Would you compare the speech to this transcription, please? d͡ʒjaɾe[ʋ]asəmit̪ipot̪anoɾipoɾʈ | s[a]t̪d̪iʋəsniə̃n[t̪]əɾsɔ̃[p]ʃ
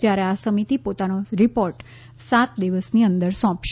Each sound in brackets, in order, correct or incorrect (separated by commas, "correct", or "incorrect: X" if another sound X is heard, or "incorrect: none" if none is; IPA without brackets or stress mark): incorrect: none, correct, incorrect: d̪, correct